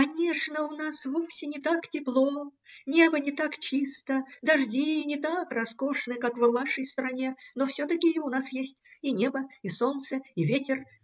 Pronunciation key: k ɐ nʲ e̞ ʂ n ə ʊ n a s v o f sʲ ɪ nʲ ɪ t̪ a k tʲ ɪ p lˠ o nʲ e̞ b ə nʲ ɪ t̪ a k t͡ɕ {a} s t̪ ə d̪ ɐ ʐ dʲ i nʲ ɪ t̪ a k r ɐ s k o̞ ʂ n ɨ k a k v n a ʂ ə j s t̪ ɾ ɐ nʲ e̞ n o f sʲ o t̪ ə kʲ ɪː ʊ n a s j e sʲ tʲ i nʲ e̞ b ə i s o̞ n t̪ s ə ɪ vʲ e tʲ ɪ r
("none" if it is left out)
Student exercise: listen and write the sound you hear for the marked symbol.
i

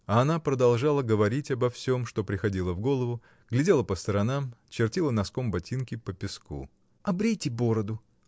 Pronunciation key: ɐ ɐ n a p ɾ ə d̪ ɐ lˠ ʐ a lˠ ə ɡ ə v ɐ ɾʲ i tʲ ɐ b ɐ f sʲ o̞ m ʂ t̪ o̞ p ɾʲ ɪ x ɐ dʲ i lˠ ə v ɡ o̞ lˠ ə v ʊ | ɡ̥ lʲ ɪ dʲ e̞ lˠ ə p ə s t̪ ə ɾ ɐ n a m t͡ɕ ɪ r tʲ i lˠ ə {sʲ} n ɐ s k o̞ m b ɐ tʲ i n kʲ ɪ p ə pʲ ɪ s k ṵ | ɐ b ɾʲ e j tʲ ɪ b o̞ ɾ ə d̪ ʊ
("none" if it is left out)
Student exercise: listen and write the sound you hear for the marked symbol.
none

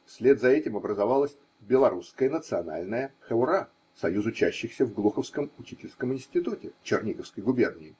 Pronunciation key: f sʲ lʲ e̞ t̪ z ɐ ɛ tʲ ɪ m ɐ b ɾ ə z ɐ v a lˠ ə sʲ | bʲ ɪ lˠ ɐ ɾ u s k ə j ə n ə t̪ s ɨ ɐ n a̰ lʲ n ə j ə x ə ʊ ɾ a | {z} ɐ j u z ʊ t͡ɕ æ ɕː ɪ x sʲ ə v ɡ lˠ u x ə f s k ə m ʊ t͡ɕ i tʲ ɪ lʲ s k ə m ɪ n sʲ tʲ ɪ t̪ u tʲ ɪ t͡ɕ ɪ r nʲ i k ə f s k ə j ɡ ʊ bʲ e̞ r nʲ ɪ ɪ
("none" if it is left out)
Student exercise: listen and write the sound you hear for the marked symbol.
s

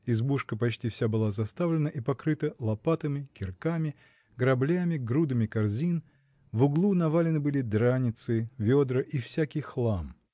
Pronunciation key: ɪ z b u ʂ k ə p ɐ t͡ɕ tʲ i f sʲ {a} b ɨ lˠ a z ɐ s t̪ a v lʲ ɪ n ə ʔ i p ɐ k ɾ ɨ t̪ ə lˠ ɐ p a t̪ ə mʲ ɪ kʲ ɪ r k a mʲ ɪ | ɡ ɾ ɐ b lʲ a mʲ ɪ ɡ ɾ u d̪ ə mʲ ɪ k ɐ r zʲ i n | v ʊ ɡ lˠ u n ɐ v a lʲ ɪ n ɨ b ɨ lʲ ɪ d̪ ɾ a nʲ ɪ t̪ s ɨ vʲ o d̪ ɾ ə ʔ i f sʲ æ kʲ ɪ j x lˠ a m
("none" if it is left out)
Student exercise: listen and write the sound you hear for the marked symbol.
a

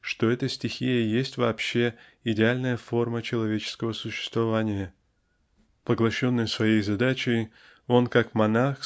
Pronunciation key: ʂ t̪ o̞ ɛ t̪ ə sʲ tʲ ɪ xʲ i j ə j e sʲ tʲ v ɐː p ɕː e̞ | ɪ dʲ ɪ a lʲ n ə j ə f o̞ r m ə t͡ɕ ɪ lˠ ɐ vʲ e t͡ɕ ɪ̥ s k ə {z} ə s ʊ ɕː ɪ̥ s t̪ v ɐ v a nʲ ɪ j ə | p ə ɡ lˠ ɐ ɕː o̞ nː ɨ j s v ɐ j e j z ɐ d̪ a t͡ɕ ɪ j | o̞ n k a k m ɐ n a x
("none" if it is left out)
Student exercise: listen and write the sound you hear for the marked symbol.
v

